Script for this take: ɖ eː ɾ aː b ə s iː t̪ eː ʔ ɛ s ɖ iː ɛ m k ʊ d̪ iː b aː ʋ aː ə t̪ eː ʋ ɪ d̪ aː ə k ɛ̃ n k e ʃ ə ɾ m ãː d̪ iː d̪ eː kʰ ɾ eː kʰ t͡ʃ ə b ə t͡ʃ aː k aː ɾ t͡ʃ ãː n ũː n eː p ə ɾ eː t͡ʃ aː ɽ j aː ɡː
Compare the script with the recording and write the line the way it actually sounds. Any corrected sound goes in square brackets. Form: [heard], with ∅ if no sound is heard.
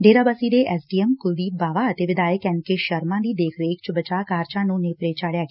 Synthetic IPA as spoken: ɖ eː ɾ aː b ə s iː [d̪] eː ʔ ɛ s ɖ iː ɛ m k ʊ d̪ iː b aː ʋ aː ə t̪ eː ʋ ɪ d̪ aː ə k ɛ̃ n k e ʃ ə ɾ m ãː d̪ iː d̪ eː kʰ ɾ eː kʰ t͡ʃ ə b ə t͡ʃ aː k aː ɾ t͡ʃ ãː n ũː n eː p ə ɾ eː t͡ʃ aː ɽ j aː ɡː